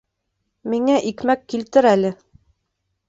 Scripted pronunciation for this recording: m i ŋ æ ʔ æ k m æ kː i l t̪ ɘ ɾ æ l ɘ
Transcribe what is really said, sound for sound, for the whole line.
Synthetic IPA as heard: m i ŋ æ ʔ i k m æ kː i l t̪ ɘ ɾ æ l ɘ